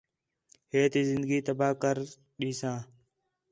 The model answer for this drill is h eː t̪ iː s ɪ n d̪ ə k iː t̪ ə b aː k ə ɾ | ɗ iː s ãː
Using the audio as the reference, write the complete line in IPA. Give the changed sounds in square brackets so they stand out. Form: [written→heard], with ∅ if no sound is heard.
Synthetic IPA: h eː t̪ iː [s→z] ɪ n d̪ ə [k→ɡ] iː t̪ ə b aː k ə ɾ | ɗ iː s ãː